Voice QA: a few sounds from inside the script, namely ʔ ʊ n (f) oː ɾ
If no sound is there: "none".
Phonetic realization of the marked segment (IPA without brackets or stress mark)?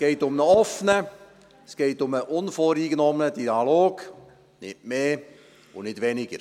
f